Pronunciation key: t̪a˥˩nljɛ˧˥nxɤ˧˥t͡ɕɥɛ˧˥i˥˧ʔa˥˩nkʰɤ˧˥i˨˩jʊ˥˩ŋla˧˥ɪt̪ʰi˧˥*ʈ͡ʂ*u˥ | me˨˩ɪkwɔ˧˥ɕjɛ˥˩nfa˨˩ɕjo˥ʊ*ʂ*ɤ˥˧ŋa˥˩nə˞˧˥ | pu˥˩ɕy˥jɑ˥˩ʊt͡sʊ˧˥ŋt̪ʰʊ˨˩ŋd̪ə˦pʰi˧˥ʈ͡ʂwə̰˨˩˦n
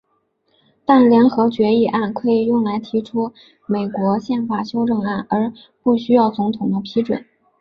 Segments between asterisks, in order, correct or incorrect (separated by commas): incorrect, incorrect